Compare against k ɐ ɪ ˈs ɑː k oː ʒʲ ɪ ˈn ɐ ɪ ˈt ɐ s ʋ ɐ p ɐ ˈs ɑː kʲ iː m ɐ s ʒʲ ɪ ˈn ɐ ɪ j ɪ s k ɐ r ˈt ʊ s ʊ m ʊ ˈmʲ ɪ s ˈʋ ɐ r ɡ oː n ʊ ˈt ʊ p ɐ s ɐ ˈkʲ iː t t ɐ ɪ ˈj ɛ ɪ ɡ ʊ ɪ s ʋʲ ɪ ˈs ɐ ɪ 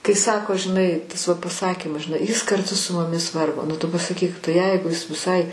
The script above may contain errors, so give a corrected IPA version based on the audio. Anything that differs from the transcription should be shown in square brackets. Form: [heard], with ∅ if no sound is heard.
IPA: k ɐ ɪ ˈs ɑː k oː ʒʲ ɪ ˈn ɐ ɪ ˈt ɐ s ʋ ɐ p ɐ ˈs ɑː kʲ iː m ɐ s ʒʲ ɪ ˈn ɐ ɪ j ɪ s k ɐ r ˈt ʊ s ʊ m ʊ ˈmʲ ɪ s ˈʋ ɐ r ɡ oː n ʊ ˈt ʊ p ɐ s ɐ ˈkʲ iː [k] t ɐ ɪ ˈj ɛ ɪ ɡ ʊ ɪ s ʋʲ ɪ ˈs ɐ ɪ